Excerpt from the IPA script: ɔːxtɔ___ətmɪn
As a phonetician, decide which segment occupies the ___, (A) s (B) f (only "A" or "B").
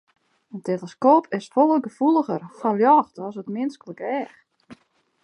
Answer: A